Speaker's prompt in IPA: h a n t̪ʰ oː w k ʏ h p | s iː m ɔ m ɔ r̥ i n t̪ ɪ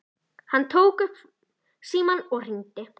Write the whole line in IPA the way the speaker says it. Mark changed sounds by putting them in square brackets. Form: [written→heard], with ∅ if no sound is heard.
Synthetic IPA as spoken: h a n t̪ʰ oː w k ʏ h p | s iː m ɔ [m→n] ɔ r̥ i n t̪ ɪ